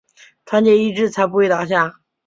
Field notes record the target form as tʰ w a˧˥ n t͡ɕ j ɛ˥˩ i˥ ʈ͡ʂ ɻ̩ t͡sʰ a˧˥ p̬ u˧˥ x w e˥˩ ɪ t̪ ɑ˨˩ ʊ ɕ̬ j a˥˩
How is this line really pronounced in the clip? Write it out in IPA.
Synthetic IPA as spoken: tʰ w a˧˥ n t͡ɕ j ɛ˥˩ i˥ ʈ͡ʂ ɻ̩ t͡sʰ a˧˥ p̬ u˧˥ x w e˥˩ ɪ t̪ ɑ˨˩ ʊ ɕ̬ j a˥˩

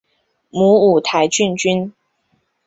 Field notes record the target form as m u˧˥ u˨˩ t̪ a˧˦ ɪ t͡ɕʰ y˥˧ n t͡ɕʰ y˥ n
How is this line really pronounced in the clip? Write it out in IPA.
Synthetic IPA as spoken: m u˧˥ u˨˩ t̪ʰ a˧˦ ɪ t͡ɕ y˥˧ n t͡ɕ y˥ n

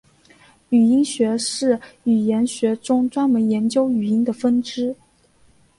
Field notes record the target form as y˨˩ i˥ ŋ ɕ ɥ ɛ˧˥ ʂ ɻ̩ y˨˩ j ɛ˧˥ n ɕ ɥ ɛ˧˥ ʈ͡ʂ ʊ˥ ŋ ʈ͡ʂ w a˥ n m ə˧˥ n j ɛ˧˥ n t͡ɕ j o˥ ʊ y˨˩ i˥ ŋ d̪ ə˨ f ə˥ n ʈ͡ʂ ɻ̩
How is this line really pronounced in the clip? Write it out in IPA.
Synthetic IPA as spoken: y˨˩ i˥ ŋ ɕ ɥ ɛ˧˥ ʂ ɻ̩ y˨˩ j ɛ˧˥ n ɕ ɥ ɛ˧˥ ʈ͡ʂ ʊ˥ ŋ ʈ͡ʂ w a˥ n m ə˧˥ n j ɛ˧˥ n t͡ɕ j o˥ ʊ y˨˩ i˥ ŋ d̪ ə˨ f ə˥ n ʈ͡ʂ ɻ̩

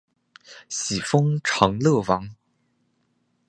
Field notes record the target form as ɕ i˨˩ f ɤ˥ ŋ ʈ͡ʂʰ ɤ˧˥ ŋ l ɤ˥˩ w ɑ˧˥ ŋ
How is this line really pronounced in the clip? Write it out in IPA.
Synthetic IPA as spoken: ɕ i˨˩ f ɤ˥ ŋ ʈ͡ʂʰ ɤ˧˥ ŋ l ɤ˥˩ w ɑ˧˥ ŋ

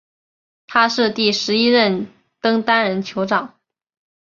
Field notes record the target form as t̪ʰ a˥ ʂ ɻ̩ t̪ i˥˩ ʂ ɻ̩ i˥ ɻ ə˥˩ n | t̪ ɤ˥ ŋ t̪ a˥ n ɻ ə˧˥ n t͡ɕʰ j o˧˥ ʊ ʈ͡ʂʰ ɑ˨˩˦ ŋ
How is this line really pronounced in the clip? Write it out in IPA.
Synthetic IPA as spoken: t̪ʰ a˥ ʂ ɻ̩ t̪ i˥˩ ʂ ɻ̩ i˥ ɻ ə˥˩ n | t̪ ɤ˥ ŋ t̪ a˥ n ɻ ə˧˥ n t͡ɕʰ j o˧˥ ʊ ʈ͡ʂ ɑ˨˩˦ ŋ

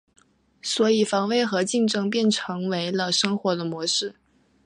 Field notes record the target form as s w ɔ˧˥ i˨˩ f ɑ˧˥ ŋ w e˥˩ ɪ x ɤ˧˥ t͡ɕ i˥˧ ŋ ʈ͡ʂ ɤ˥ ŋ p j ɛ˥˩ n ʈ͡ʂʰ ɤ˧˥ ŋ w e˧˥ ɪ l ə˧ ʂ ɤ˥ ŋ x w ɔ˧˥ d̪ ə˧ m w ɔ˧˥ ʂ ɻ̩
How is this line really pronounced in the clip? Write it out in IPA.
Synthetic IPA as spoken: s w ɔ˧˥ i˨˩ f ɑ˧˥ ŋ w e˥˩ ɪ x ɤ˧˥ t͡ɕ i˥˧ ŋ ʈ͡ʂ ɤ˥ ŋ p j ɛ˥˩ n ʈ͡ʂʰ ɤ˧˥ ŋ w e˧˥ ɪ l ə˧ ʂ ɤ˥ ŋ x w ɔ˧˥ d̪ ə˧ m w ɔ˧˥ ʂ ɻ̩

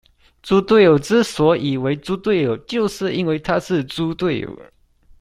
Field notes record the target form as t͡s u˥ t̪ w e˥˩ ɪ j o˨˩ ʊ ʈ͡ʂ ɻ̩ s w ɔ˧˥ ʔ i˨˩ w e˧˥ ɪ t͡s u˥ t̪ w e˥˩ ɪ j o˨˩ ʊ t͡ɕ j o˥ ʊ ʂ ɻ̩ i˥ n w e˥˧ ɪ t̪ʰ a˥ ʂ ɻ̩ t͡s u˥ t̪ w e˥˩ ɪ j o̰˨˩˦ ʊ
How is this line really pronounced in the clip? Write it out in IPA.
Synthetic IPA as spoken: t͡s u˥ t̪ w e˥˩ ɪ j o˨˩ ʊ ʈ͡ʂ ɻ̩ s w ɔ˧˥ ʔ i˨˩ w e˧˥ ɪ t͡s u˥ t̪ w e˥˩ ɪ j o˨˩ ʊ t͡ɕ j o˥˧ ʊ ʂ ɻ̩ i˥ n w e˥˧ ɪ t̪ʰ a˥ ʂ ɻ̩ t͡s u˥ t̪ w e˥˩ ɪ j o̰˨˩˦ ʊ

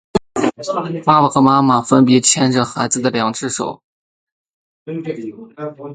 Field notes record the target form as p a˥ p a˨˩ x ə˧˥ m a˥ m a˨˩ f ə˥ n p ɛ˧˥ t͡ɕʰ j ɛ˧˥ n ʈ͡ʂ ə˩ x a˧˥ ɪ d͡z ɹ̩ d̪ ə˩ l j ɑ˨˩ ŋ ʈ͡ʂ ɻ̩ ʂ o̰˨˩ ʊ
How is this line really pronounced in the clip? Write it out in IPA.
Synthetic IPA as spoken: p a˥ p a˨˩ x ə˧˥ m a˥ m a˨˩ f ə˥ n p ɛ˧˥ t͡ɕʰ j ɛ˥ n ʈ͡ʂ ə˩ x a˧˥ ɪ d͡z ɹ̩ d̪ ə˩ l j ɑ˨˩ ŋ ʈ͡ʂ ɻ̩ ʂ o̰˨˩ ʊ

